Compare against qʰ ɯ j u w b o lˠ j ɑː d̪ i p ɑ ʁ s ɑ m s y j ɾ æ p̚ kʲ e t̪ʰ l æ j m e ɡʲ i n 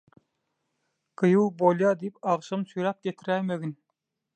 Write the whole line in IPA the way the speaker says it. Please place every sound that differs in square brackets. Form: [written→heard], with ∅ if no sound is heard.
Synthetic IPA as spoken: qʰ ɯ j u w b o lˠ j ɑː d̪ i p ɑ ʁ [s→ʃ] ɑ m s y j ɾ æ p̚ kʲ e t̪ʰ [l→ɾ] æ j m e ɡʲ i n